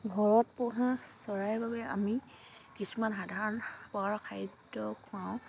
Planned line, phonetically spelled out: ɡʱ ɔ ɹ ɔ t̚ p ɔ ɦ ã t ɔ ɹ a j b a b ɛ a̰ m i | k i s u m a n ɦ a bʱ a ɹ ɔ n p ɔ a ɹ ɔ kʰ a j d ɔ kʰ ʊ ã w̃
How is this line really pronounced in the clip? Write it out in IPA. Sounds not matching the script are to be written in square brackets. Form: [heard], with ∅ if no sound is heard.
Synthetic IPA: ɡʱ ɔ ɹ ɔ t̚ p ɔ ɦ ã [s] ɔ ɹ a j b a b ɛ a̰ m i | k i s u m a n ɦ a [dʱ] a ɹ ɔ n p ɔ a ɹ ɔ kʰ a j d ɔ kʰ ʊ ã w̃